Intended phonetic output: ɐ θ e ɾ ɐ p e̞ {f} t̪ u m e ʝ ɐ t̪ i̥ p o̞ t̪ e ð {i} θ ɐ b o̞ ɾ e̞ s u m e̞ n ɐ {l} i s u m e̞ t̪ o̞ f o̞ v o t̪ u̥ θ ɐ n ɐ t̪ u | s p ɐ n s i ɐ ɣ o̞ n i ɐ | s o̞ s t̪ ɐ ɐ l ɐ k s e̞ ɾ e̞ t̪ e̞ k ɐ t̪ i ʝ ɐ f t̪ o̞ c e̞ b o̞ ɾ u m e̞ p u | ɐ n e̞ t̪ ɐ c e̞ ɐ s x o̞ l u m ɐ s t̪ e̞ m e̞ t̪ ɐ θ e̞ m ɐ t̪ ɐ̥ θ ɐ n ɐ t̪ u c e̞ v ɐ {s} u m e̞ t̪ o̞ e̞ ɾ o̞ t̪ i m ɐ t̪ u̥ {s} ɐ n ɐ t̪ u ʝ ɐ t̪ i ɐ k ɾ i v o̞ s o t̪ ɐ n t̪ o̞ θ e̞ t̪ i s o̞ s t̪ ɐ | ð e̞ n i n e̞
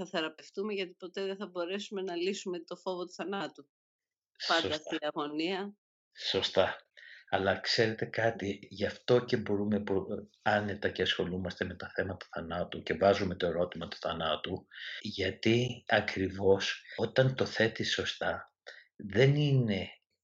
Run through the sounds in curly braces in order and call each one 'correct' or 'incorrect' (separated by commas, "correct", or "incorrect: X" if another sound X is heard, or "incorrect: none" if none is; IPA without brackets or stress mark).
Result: correct, incorrect: e, correct, incorrect: z, incorrect: θ